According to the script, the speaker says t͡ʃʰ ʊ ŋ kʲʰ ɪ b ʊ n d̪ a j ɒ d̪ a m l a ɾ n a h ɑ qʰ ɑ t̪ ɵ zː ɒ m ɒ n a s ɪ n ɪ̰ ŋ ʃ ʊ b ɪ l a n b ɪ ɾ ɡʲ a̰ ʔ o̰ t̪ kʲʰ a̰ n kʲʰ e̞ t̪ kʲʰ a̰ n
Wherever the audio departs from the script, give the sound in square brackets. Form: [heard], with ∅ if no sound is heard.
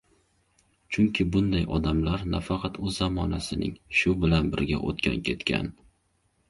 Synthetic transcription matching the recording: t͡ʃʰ ʊ ŋ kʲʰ ɪ b ʊ n d̪ a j ɒ d̪ a m l a ɾ n a [f] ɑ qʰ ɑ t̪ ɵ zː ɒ m ɒ n a s ɪ n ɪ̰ ŋ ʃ ʊ b ɪ l a n b ɪ ɾ ɡʲ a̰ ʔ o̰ t̪ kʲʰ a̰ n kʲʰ e̞ t̪ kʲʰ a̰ n